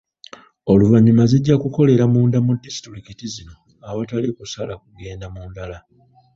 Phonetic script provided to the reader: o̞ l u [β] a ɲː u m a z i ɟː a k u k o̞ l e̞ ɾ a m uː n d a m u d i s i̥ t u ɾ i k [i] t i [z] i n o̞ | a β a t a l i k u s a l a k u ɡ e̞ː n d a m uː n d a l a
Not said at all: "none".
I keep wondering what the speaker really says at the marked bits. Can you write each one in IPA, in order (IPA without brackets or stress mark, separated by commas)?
v, i, z